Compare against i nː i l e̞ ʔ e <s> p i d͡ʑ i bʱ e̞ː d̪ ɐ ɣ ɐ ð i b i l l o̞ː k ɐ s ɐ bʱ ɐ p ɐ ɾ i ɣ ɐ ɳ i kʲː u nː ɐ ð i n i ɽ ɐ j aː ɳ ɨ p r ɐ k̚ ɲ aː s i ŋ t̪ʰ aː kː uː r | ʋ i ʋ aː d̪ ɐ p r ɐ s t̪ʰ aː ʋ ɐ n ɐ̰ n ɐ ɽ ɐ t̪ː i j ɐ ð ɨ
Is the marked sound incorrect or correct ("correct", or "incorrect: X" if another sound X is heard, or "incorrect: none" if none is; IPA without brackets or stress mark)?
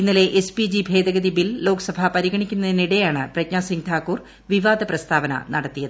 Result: correct